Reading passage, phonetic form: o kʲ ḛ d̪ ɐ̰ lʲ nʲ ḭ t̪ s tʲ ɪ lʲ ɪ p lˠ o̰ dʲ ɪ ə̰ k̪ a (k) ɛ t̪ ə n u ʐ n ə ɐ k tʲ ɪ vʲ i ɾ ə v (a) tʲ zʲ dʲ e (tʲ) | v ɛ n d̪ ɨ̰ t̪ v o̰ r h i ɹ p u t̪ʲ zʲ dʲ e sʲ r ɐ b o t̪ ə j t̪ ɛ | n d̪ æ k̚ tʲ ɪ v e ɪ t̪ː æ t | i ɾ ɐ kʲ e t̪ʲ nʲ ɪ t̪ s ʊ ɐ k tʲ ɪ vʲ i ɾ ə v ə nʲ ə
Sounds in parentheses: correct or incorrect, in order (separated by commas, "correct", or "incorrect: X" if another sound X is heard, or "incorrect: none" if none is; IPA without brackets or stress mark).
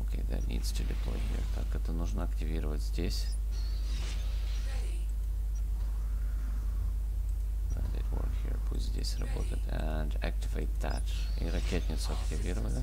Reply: correct, incorrect: ə, incorrect: sʲ